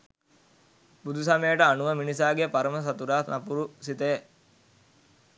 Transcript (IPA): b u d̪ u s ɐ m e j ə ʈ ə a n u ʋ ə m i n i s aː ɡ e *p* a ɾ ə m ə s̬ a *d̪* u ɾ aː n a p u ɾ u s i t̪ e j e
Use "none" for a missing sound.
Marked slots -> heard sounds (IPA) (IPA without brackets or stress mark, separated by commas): p, t̪